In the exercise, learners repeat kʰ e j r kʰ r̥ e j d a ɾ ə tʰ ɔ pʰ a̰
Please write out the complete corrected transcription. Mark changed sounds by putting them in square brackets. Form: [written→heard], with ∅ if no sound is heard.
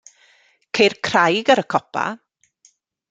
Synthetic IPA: kʰ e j r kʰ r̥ [e→a] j [d→ɡ] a ɾ ə [tʰ→kʰ] ɔ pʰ a̰